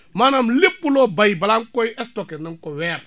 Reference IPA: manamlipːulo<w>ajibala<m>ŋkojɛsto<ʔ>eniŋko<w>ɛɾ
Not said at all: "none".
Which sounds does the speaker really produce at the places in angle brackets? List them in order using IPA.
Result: b, none, k, w

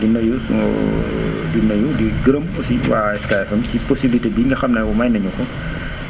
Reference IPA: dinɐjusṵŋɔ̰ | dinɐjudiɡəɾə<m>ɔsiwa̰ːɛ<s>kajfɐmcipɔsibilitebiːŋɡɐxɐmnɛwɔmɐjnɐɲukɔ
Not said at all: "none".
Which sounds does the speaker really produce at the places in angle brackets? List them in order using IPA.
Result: m, s

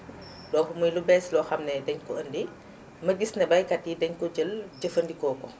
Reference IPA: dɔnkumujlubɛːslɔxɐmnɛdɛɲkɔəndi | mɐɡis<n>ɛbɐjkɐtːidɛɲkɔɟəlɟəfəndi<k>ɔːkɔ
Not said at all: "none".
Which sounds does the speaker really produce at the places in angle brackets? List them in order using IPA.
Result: n, k

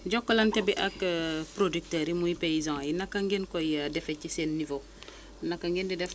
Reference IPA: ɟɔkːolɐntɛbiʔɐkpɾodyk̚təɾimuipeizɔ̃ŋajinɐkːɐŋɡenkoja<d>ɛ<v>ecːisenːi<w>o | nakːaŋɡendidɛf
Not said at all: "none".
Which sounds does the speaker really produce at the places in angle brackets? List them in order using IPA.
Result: d, f, v

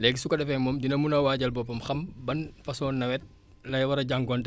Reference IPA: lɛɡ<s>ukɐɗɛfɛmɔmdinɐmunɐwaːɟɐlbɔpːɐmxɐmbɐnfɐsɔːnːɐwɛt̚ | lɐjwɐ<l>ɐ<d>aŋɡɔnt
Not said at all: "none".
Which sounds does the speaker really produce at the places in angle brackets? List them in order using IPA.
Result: s, ɾ, ɟ

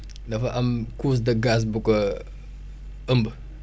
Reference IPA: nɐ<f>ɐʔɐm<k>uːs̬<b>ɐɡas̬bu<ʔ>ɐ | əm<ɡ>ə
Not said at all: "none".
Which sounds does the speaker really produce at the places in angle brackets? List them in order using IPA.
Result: f, k, d, k, b

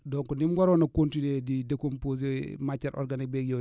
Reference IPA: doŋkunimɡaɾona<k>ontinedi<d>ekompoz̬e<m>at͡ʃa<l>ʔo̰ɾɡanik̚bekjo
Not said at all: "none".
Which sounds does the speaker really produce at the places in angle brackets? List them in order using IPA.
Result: k, d, m, ɾ

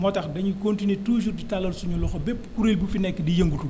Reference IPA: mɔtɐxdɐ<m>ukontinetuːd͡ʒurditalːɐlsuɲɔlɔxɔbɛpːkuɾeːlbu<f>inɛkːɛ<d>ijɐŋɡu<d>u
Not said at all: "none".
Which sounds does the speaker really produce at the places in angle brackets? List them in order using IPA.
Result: ɲ, f, d, t

